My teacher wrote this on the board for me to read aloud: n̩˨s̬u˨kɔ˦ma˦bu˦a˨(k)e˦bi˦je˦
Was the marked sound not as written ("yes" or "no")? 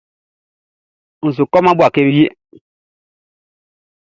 no